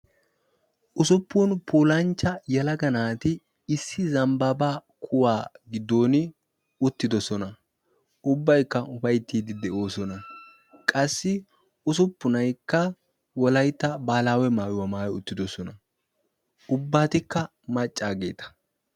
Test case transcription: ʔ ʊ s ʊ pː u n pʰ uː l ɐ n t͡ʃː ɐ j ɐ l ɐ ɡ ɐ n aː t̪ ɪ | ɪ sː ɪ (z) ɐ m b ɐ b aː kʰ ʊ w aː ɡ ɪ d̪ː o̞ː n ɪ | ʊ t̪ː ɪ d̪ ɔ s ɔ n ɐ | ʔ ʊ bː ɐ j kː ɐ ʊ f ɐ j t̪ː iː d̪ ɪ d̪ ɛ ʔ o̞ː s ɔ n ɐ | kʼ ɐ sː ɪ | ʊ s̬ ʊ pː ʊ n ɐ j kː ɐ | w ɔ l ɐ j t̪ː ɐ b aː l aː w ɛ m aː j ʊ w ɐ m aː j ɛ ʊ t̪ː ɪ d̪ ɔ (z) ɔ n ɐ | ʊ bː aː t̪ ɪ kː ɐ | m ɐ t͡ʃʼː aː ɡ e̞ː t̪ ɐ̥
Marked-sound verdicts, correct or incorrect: correct, incorrect: s

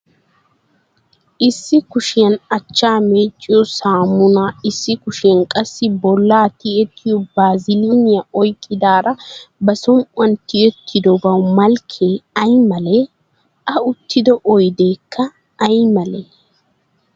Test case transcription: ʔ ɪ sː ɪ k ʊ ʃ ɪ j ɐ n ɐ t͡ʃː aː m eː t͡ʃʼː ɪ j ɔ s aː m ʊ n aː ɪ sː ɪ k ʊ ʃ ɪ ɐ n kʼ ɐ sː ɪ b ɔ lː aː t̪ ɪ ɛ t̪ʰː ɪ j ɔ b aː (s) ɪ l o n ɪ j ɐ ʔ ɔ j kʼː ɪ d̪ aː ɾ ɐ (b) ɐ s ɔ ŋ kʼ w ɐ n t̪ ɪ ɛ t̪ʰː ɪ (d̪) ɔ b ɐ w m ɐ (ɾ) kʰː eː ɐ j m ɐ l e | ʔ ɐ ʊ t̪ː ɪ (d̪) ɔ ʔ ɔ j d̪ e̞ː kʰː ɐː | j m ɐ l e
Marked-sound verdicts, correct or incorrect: incorrect: z, correct, correct, incorrect: l, correct

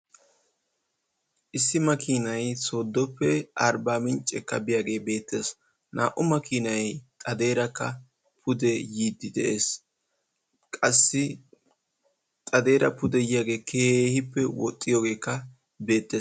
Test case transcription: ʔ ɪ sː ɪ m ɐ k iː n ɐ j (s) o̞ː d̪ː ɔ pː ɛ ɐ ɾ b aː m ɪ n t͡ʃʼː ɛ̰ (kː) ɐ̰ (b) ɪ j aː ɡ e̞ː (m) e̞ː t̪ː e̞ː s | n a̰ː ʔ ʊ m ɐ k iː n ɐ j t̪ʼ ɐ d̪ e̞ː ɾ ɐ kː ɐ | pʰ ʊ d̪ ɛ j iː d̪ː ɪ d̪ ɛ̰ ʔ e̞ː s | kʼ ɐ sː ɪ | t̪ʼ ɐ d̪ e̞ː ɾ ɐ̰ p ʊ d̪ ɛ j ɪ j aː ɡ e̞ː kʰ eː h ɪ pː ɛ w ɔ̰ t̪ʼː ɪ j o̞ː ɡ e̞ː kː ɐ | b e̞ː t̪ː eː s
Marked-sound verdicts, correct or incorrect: correct, correct, correct, incorrect: b

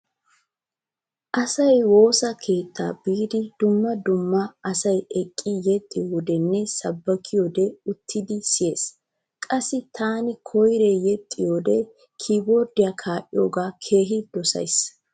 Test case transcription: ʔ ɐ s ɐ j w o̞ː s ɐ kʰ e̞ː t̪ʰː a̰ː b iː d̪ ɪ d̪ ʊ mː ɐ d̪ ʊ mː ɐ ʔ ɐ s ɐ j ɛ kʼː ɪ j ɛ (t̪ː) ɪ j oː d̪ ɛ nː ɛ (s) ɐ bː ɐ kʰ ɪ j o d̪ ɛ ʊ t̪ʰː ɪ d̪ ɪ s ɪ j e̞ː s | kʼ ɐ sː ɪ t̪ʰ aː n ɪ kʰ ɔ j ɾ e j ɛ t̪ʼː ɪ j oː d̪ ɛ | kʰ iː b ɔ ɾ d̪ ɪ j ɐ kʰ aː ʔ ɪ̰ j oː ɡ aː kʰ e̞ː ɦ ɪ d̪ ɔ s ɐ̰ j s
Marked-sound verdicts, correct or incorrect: incorrect: t̪ʼː, correct

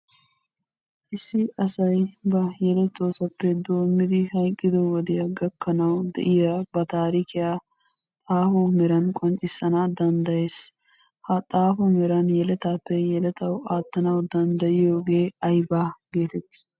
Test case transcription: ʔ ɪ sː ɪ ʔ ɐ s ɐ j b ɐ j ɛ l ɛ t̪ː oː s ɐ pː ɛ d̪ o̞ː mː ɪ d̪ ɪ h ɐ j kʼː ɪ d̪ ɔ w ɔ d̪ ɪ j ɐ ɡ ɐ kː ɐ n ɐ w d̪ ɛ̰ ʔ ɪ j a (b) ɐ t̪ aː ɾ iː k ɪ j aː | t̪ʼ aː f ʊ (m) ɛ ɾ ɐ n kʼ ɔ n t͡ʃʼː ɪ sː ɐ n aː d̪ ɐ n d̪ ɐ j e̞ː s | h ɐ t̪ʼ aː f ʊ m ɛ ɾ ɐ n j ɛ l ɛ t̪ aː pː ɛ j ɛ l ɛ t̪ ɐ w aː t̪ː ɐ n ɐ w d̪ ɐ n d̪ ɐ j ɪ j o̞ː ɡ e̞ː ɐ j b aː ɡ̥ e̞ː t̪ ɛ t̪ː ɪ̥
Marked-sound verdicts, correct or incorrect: correct, correct

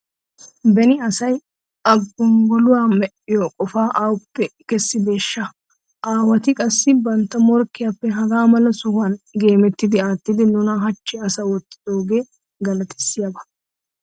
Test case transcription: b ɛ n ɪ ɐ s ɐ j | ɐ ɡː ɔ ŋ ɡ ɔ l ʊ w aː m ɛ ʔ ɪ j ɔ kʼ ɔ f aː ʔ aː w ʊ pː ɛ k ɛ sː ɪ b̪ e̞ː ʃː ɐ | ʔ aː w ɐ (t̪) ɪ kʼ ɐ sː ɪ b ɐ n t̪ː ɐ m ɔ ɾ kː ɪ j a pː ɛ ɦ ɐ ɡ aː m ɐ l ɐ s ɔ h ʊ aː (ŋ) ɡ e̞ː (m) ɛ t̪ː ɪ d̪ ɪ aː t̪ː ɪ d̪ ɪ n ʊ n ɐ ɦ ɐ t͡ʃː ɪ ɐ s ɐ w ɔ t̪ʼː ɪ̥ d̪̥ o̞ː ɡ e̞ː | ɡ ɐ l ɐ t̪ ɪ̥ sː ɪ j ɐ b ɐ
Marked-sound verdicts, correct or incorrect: correct, incorrect: n, correct

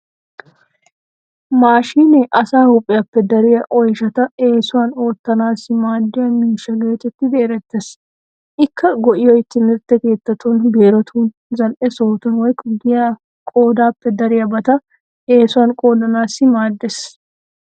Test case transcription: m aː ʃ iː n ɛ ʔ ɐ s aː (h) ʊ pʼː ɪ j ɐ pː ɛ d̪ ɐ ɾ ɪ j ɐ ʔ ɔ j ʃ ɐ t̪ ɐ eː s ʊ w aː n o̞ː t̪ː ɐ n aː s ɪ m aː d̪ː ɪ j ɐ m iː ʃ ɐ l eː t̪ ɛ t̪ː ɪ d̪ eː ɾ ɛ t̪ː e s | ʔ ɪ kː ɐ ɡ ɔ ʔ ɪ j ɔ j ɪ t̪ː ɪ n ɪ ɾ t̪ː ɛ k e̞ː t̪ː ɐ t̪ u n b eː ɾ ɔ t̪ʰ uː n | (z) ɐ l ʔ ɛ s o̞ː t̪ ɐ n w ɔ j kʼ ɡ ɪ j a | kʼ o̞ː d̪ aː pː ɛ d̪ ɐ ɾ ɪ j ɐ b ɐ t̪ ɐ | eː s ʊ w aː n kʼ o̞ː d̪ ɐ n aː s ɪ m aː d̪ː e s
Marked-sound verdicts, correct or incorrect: correct, correct

